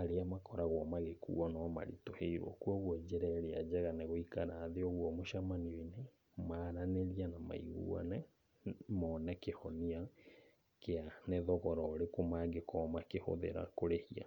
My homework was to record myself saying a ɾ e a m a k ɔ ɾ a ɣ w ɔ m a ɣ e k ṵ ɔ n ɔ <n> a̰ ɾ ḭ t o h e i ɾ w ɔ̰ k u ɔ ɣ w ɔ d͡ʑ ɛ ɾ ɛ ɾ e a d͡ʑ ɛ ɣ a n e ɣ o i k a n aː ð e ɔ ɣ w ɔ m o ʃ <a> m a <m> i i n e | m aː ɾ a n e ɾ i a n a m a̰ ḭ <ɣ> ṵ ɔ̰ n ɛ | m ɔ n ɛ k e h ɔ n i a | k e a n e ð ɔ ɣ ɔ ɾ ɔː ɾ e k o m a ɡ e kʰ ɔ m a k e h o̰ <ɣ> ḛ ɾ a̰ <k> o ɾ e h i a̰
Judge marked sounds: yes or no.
no, yes, no, yes, no, yes

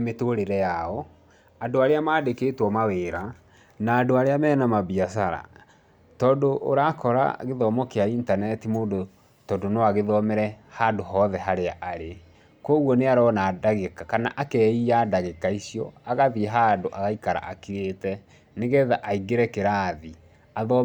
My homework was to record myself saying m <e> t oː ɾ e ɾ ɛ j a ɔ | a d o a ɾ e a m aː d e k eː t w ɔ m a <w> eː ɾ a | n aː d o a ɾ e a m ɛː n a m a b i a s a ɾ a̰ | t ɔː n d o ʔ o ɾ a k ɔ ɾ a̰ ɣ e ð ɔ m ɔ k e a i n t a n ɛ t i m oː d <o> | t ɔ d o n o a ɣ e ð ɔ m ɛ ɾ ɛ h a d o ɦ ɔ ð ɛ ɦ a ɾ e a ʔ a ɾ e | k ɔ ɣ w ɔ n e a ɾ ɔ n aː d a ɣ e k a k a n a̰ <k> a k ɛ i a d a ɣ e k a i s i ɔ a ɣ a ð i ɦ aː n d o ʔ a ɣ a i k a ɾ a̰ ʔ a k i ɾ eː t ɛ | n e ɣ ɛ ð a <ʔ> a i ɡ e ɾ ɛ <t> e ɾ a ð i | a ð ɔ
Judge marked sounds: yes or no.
yes, yes, yes, no, yes, no

